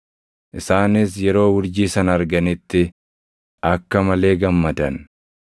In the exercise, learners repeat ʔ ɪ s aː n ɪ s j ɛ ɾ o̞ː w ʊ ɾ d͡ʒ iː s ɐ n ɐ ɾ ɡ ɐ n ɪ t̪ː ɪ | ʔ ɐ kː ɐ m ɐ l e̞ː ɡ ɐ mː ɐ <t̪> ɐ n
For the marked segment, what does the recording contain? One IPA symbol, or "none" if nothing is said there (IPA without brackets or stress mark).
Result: d̪